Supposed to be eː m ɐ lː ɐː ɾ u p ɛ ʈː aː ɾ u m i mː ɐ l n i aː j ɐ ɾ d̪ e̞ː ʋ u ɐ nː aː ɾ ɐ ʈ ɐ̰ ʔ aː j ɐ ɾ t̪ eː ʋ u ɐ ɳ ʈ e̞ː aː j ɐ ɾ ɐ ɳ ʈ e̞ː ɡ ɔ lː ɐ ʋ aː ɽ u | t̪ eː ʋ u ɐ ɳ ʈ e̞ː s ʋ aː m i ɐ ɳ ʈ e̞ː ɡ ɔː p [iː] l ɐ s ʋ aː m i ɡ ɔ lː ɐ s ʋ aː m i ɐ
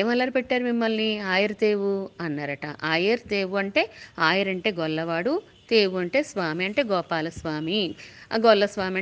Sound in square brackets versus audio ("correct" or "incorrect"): incorrect